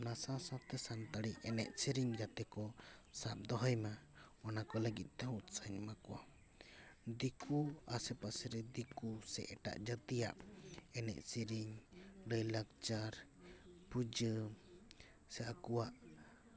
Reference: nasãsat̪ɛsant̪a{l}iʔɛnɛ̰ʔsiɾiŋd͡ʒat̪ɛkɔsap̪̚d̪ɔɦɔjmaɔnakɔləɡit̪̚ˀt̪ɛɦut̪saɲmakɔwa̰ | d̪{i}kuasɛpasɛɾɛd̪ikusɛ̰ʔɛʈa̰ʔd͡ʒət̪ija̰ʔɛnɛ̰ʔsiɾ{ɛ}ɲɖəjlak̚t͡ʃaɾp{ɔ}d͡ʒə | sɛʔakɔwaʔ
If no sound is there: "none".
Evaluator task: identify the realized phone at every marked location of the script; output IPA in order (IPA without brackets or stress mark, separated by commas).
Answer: ɽ, i, i, u